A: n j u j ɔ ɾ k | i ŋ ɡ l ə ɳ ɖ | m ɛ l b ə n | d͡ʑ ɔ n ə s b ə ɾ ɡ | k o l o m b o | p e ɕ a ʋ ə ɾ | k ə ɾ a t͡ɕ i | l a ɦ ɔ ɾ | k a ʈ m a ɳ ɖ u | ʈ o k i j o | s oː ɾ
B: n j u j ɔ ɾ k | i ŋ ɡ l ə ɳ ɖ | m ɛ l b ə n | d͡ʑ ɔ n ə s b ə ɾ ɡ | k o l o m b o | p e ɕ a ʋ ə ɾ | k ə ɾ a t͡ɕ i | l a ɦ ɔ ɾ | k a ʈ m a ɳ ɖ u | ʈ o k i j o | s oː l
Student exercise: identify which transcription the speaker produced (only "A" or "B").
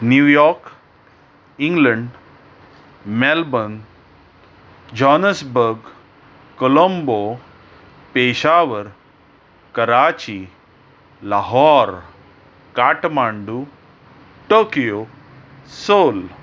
B